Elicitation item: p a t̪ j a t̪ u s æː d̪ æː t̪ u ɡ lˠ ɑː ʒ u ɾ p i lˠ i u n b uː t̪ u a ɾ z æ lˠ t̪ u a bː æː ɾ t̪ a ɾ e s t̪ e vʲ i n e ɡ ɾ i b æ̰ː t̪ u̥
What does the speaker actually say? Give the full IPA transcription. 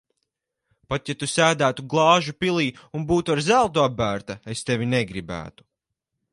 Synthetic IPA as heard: p a t̪ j a t̪ u s æː d̪ æː t̪ u ɡ lˠ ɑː ʒ u p i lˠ iː u n b uː t̪ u a ɾ z æ lˠ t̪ u a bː æː ɾ t̪ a e s t̪ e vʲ i n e ɡ ɾ i b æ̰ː t̪ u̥